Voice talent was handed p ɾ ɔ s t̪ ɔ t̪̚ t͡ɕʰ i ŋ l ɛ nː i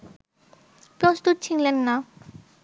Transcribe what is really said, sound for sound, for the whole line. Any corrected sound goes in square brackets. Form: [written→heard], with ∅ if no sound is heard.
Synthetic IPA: p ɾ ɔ s t̪ [ɔ→u] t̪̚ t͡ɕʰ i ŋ l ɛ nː [i→a]